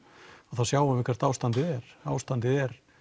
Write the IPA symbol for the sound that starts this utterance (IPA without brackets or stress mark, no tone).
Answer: a